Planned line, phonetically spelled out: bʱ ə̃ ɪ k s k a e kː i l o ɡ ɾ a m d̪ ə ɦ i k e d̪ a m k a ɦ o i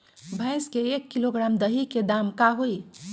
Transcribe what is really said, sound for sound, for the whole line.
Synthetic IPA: bʱ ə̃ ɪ s k e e kː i l o ɡ ɾ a m d̪ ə ɦ i k e d̪ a m k a ɦ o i